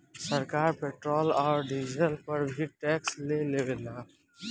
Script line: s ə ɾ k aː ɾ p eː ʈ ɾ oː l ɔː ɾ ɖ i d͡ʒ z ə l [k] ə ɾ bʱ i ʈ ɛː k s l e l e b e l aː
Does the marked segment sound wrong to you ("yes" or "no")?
yes